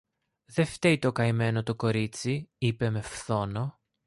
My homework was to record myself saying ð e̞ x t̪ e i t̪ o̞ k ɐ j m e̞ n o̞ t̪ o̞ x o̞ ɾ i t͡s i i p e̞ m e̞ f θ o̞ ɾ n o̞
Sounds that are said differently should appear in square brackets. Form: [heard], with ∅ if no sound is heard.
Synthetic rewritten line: ð e̞ [f] t̪ e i t̪ o̞ k ɐ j m e̞ n o̞ t̪ o̞ [k] o̞ ɾ i t͡s i i p e̞ m e̞ f θ o̞ [∅] n o̞